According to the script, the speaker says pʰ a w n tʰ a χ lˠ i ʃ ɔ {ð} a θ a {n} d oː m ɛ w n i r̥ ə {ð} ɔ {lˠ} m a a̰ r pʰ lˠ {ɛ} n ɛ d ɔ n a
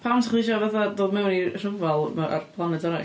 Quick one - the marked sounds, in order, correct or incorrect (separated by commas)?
incorrect, incorrect, incorrect, correct, incorrect